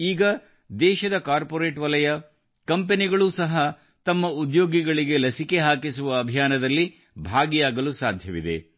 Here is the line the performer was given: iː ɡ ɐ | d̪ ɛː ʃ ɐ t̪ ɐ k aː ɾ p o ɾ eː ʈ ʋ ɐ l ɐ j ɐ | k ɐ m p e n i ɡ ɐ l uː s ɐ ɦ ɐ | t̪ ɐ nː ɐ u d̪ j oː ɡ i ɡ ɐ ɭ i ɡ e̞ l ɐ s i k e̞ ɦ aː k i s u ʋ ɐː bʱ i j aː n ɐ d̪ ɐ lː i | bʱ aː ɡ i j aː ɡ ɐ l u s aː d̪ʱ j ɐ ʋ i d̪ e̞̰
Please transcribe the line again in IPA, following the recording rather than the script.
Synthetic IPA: iː ɡ ɐ | d̪ ɛː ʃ ɐ d̪ ɐ k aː ɾ p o ɾ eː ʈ ʋ ɐ l ɐ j ɐ | k ɐ m p e n i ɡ ɐ ɭ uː s ɐ ɦ ɐ | t̪ ɐ mː ɐ u d̪ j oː ɡ i ɡ ɐ ɭ i ɡ e̞ l ɐ s i k e̞ ɦ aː k i s u ʋ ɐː bʱ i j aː n ɐ d̪ ɐ lː i | bʱ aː ɡ i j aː ɡ ɐ l u s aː d̪ʱ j ɐ ʋ i d̪ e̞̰